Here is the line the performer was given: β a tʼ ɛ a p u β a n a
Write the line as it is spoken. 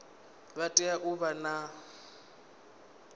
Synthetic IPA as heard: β a tʼ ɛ a ʔ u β a n a